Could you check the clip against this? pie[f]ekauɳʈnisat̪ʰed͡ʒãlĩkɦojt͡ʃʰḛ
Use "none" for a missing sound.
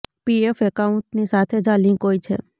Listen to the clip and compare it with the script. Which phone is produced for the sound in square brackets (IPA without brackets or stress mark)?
f